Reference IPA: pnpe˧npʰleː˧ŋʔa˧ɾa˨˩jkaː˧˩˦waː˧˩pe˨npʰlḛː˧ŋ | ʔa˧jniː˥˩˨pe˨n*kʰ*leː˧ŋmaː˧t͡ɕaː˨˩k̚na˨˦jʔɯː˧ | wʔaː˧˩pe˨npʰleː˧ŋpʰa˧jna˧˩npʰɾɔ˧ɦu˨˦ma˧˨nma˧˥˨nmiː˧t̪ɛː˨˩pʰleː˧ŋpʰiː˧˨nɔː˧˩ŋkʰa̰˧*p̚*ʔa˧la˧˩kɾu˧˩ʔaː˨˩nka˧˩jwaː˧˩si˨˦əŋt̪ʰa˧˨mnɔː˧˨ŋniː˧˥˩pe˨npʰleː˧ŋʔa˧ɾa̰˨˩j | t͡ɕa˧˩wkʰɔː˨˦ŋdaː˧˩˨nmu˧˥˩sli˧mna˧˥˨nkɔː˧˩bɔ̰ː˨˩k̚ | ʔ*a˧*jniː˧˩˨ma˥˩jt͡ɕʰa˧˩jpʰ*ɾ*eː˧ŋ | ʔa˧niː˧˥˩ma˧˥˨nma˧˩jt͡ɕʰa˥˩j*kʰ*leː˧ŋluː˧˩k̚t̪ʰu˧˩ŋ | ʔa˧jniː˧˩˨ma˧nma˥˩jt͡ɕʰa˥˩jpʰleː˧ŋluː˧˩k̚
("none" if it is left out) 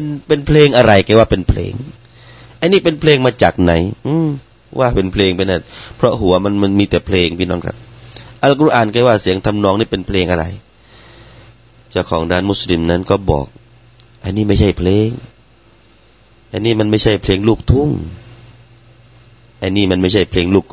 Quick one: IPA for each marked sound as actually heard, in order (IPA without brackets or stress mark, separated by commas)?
pʰ, p̚, a˧, l, pʰ